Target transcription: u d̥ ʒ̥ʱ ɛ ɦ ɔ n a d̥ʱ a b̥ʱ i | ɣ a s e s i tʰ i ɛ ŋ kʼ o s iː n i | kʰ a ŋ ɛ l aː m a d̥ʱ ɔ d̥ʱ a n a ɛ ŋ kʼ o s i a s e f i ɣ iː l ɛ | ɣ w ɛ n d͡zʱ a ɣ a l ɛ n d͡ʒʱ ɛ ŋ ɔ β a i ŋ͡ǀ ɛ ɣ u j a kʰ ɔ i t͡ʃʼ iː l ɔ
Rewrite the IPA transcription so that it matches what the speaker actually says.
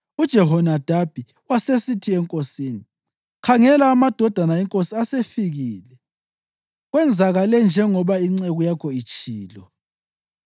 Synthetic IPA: u d̥ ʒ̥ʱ ɛ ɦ ɔ n a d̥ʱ a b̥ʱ i | w a s e s i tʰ i ɛ ŋ kʼ o s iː n i | kʰ a ŋ ɛ l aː m a d̥ʱ ɔ d̥ʱ a n a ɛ ŋ kʼ o s i a s e f i ɣ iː l ɛ | ɣ w ɛ n d͡zʱ a ɣ a l ɛ n d͡ʒʱ ɛ ŋ ɔ β a i ŋ͡ǀ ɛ ɣ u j a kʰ ɔ i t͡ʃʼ iː l ɔ